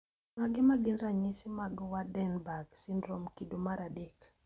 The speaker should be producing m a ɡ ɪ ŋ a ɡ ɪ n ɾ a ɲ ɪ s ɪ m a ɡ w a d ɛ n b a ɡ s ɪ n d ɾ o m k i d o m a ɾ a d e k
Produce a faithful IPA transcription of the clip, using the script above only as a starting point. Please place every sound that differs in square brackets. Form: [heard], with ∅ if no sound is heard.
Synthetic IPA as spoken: m a ɡ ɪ [m] a ɡ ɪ n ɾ a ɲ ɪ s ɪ m a ɡ w a d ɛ n b a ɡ s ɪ n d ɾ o m k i d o m a ɾ a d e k